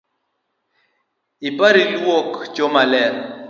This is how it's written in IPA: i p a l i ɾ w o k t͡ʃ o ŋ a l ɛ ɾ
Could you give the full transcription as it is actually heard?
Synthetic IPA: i p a ɾ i l w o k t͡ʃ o m a l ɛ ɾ